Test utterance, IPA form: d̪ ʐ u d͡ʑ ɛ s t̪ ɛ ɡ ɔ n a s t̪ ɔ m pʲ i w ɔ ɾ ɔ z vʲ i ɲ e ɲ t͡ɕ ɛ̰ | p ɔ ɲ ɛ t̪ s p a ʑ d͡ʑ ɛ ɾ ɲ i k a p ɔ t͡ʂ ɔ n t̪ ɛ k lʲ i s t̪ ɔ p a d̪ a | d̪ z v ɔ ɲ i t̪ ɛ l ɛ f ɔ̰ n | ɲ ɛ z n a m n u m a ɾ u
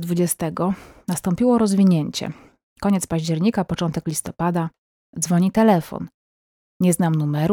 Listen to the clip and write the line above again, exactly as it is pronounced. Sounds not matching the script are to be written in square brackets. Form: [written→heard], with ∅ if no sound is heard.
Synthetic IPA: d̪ [ʐ→v] u d͡ʑ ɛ s t̪ ɛ ɡ ɔ n a s t̪ ɔ m pʲ i w ɔ ɾ ɔ z vʲ i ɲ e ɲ t͡ɕ ɛ̰ | [p→k] ɔ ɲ ɛ t̪ s p a ʑ d͡ʑ ɛ ɾ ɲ i k a p ɔ t͡ʂ ɔ n t̪ ɛ k lʲ i s t̪ ɔ p a d̪ a | d̪ z v ɔ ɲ i t̪ ɛ l ɛ f ɔ̰ n | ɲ ɛ z n a m n u m [a→ɛ] ɾ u